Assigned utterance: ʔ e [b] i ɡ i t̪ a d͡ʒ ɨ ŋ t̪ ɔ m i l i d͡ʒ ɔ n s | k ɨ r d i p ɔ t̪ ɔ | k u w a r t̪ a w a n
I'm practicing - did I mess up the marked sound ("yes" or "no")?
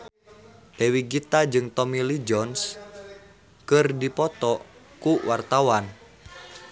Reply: yes